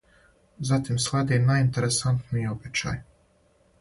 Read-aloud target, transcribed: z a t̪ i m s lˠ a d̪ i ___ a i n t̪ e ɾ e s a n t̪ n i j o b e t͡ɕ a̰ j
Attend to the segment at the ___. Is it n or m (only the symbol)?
n